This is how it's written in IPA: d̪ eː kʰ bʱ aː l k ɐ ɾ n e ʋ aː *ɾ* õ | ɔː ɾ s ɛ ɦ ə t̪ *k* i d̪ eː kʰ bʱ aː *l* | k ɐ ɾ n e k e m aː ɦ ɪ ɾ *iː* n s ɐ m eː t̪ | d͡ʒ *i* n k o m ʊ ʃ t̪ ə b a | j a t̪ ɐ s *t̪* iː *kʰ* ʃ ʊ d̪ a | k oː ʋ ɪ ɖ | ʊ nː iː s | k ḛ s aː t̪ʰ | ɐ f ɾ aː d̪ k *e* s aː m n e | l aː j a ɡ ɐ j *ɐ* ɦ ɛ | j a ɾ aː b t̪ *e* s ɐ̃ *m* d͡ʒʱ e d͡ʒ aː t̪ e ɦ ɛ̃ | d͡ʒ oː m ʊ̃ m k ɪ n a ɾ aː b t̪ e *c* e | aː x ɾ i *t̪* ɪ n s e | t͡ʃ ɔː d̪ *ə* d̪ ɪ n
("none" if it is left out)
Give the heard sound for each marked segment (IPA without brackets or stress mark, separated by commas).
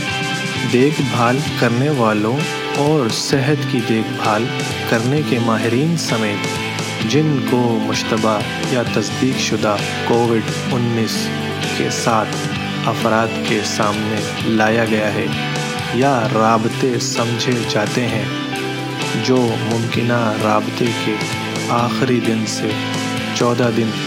l, k, l, iː, ɪ, d̪, k, e, a, e, m, k, d̪, a